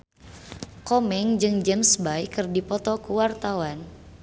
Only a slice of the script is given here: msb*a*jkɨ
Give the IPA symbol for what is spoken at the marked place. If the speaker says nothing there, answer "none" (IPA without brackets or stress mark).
a